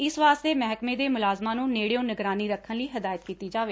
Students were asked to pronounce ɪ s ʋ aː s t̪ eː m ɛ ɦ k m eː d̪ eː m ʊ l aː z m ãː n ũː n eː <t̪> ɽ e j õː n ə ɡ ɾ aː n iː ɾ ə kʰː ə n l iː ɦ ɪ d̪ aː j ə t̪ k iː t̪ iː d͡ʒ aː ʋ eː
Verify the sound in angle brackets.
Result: incorrect: none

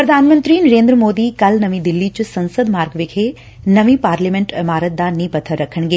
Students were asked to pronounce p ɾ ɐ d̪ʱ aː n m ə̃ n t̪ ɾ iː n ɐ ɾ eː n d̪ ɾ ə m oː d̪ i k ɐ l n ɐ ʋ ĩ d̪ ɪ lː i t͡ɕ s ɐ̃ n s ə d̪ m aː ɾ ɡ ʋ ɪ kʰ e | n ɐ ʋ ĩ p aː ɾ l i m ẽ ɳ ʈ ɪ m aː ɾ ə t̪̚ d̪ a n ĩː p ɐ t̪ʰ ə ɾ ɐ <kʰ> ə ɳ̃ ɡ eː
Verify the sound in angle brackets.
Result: correct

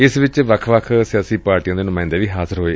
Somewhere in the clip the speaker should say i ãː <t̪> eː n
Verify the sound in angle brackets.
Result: incorrect: d̪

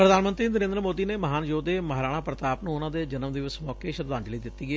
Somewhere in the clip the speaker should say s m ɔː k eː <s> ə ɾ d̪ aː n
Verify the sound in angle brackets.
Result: incorrect: ʃ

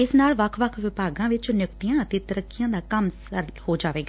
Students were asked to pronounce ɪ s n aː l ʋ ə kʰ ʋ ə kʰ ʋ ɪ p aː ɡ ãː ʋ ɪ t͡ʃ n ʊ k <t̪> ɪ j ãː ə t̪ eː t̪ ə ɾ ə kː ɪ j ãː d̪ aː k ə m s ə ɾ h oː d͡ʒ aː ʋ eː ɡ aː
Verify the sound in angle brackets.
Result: correct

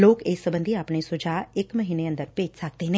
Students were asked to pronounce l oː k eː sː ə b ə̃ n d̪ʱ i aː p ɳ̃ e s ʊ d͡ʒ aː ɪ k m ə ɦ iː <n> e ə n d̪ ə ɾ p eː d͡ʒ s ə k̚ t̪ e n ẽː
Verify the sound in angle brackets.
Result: correct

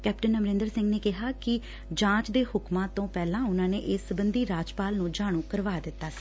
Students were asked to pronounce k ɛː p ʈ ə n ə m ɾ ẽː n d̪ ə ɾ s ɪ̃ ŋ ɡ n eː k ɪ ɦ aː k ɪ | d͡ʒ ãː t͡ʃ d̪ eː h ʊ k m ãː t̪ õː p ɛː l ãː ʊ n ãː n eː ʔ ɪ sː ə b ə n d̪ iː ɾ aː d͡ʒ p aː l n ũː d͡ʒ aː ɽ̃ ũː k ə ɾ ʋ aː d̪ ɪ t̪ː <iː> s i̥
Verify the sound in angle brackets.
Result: incorrect: aː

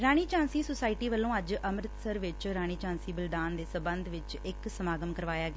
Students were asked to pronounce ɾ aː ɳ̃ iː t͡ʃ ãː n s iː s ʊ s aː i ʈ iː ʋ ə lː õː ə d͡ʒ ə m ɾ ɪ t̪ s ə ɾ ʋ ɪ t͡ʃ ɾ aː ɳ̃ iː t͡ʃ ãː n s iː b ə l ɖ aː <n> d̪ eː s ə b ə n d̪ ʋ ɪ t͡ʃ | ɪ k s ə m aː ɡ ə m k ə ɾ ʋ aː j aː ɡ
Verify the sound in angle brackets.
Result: correct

